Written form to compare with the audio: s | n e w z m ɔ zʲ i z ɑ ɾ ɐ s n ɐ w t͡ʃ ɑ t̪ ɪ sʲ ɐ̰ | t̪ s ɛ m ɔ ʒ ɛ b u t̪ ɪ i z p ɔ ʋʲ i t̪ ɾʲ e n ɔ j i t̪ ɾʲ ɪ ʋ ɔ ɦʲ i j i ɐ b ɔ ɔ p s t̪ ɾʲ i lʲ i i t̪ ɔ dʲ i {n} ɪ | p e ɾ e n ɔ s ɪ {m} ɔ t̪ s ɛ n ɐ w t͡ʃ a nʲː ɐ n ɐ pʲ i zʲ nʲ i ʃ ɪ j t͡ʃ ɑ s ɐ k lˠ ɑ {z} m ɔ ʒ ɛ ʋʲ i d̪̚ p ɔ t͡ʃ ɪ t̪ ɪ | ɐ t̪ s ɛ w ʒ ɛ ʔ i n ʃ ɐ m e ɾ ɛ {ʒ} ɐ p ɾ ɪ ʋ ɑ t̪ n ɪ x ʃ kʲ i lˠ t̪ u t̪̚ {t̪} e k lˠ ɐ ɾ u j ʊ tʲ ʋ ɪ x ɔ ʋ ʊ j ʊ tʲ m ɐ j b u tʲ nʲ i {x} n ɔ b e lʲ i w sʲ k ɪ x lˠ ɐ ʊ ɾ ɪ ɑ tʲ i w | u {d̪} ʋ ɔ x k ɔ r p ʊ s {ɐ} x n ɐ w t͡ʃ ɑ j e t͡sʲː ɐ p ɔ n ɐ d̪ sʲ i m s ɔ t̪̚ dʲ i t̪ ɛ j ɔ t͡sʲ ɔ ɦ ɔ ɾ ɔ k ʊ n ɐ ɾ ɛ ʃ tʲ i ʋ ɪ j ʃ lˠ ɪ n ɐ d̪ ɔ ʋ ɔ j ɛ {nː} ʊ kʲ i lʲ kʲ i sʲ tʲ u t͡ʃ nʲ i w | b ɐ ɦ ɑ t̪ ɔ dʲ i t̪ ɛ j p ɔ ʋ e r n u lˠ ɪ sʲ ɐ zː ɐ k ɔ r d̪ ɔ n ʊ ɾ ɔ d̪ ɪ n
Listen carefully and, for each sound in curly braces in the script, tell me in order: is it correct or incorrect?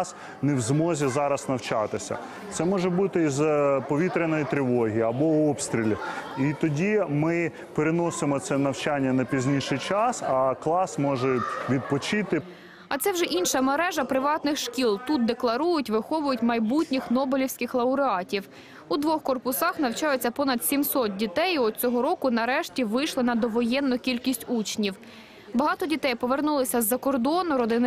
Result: incorrect: m, correct, incorrect: s, correct, incorrect: d̪, correct, correct, incorrect: ɑ, correct

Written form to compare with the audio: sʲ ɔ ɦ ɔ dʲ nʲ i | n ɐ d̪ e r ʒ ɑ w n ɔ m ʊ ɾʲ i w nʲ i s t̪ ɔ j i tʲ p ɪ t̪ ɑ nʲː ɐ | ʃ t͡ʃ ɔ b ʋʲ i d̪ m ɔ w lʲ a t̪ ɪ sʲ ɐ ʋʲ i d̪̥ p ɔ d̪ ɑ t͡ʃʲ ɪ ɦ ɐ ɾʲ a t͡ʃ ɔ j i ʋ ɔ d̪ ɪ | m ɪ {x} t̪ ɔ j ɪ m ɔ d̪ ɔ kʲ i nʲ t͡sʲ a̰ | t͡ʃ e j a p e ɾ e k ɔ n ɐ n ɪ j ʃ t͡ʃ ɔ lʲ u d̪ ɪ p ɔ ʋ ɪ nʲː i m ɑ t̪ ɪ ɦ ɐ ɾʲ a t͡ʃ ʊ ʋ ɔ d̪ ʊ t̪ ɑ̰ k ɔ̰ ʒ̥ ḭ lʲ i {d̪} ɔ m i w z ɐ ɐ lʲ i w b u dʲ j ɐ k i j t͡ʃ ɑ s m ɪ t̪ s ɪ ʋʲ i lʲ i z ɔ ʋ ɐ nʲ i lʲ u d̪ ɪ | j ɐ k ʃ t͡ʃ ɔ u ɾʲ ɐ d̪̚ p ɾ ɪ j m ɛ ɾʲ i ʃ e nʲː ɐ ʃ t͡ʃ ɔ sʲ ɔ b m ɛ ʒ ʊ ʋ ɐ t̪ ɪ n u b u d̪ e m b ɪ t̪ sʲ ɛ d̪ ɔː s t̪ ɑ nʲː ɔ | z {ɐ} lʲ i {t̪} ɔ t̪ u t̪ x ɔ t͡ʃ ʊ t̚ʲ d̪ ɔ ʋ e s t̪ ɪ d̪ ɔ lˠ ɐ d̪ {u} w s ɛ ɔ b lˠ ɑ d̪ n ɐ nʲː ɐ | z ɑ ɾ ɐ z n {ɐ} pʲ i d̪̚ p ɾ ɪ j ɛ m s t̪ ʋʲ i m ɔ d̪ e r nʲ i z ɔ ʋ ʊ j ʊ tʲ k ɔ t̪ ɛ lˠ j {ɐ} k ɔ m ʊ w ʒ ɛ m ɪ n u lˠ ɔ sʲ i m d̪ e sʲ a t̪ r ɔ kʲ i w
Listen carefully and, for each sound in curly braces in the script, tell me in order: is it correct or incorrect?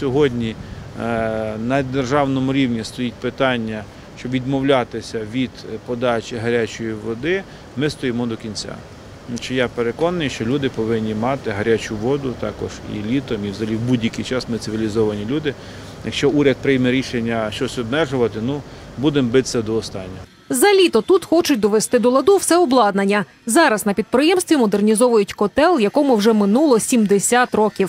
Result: incorrect: s, incorrect: t̪, correct, correct, correct, correct, correct

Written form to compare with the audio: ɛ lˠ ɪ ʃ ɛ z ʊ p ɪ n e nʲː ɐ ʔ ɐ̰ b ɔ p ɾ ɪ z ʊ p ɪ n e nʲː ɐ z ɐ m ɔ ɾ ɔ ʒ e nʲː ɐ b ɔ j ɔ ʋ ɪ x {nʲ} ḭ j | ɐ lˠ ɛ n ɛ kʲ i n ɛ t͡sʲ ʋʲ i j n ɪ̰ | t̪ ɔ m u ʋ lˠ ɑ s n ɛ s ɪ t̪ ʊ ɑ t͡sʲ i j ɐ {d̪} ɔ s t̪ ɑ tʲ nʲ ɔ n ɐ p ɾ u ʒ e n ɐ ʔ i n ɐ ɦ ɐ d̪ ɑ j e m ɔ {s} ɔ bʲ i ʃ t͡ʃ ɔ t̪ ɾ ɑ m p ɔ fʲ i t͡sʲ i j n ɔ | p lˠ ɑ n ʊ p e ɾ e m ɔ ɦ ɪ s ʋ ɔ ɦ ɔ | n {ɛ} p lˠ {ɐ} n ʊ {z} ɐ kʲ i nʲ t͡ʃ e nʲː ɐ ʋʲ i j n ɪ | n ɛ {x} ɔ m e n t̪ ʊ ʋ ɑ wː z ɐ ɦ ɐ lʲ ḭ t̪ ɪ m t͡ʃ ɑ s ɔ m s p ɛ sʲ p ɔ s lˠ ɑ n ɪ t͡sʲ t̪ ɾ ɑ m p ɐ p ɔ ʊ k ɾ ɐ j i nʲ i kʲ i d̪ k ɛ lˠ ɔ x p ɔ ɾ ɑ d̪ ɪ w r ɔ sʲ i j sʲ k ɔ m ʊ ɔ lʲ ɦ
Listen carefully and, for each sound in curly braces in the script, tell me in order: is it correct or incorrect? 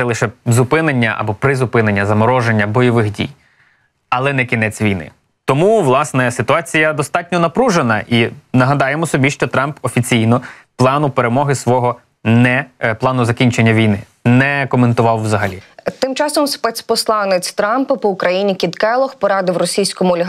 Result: incorrect: dʲ, correct, correct, correct, incorrect: ɑ, correct, incorrect: k

